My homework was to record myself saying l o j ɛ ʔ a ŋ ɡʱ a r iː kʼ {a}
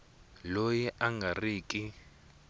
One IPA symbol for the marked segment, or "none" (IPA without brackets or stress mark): i